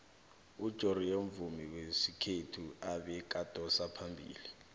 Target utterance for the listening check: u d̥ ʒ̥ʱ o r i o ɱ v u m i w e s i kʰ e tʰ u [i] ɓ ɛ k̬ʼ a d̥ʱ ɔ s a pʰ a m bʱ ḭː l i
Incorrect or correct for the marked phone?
incorrect: a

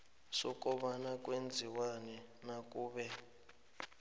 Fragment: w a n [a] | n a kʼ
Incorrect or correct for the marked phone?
incorrect: ɛ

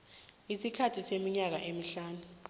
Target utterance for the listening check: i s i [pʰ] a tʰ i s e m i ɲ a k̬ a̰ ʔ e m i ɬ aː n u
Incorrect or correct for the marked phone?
incorrect: kʰ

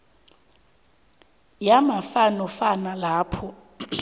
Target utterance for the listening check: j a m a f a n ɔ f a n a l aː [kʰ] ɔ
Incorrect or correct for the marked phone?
incorrect: pʰ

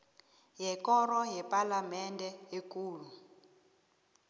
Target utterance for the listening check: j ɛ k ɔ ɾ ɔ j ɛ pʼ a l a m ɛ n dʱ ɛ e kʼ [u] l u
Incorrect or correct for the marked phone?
incorrect: uː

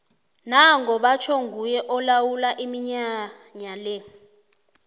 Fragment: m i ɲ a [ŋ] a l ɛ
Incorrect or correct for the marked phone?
incorrect: ɲ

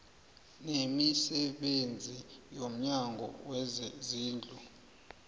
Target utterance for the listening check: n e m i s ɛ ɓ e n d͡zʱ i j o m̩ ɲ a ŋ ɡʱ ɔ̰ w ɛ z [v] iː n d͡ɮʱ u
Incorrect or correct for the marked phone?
incorrect: z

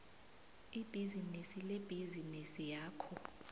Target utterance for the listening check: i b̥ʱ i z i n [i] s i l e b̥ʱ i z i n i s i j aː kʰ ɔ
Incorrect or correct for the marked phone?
correct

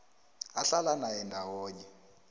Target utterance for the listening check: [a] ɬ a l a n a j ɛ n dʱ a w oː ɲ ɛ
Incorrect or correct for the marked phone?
correct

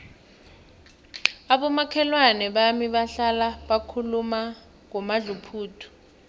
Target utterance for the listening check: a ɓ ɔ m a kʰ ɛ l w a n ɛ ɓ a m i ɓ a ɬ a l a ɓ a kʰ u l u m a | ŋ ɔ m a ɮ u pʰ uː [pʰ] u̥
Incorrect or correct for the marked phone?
incorrect: tʰ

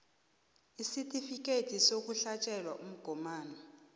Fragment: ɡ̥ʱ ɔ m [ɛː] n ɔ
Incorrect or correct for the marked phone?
incorrect: aː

